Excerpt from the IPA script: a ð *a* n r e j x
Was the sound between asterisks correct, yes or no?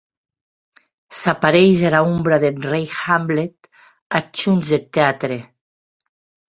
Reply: no